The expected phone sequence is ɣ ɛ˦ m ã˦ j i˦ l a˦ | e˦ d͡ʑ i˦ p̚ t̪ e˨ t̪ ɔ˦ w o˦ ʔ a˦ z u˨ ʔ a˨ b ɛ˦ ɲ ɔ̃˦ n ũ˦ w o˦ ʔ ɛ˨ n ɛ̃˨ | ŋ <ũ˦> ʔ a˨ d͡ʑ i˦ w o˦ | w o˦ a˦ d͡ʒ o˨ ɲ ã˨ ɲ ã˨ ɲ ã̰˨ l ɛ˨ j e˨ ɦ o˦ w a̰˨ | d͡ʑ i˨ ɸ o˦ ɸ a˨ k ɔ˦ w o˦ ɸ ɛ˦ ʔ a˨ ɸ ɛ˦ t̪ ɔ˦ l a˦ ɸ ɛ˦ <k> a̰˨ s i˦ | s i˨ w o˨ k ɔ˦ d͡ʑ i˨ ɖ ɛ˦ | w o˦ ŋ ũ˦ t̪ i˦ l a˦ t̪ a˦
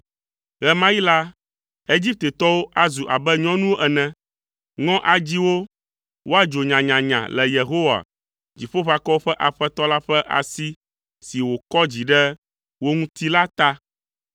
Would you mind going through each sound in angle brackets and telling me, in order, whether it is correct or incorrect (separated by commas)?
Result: incorrect, incorrect